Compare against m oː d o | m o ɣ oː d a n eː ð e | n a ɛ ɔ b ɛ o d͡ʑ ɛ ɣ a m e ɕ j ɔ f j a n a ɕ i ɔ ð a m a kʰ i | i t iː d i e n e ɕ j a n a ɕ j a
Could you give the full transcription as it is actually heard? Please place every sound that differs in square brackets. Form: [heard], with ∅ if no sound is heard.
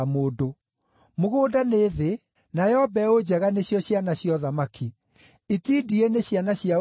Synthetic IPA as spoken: m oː d o | m o ɣ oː d a n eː ð e | n a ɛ ɔ b ɛ o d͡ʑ ɛ ɣ a [n] e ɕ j ɔ [ɕ] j a n a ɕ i ɔ ð a m a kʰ i | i t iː d i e n e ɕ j a n a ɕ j a